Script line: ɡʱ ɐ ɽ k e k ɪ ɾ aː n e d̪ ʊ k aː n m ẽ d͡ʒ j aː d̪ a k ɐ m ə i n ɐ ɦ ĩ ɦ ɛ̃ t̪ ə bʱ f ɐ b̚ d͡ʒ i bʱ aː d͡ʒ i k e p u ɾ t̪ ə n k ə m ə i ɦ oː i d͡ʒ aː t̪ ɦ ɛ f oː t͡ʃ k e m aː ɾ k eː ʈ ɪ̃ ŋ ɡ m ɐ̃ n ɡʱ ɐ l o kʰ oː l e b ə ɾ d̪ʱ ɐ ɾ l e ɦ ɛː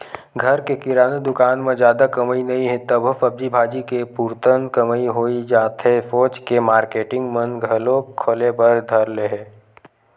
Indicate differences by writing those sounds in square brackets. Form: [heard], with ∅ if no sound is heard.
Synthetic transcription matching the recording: ɡʱ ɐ [ɾ] k e k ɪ ɾ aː n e d̪ ʊ k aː n m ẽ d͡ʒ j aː d̪ a k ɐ m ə i n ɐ ɦ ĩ ɦ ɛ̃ t̪ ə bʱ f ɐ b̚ d͡ʒ i bʱ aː d͡ʒ i k e p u ɾ t̪ ə n k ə m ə i ɦ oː i d͡ʒ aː t̪ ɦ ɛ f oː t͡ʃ k e m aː ɾ k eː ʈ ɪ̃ ŋ ɡ m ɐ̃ n ɡʱ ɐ l o kʰ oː l e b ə ɾ d̪ʱ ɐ ɾ l e ɦ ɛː